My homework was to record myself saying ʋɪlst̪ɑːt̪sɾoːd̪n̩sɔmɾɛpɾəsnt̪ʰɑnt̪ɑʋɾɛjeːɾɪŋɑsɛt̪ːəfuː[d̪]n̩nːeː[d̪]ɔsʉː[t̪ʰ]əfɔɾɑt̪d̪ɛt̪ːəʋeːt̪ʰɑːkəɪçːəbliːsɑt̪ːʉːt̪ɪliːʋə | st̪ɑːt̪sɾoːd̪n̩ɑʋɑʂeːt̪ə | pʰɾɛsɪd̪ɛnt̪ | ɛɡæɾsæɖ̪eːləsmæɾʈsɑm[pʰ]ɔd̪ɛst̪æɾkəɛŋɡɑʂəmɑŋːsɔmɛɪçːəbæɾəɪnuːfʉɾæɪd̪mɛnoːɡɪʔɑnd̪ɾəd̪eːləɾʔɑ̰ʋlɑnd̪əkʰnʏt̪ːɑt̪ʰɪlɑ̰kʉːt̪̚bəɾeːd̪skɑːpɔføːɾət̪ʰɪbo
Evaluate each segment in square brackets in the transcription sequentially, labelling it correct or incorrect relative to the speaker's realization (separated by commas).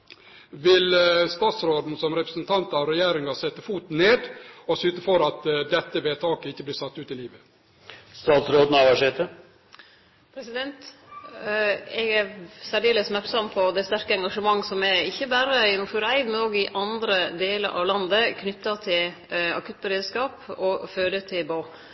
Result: incorrect, correct, incorrect, correct